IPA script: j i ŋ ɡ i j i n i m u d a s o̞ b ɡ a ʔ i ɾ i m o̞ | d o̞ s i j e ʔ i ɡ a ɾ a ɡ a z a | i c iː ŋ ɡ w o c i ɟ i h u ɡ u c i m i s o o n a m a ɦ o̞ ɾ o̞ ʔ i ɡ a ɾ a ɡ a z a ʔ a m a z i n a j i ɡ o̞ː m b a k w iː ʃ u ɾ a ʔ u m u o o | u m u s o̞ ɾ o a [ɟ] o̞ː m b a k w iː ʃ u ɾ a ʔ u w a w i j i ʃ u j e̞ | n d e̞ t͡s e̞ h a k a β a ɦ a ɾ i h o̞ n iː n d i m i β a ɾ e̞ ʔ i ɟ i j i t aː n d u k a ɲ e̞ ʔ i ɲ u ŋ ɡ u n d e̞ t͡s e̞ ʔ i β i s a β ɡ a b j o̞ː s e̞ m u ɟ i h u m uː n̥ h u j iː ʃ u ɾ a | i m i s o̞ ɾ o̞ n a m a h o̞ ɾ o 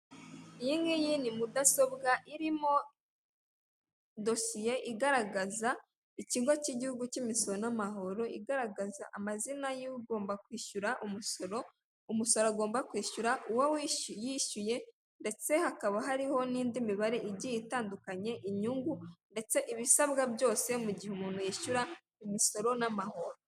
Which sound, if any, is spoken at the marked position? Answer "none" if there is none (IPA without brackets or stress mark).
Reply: ɡ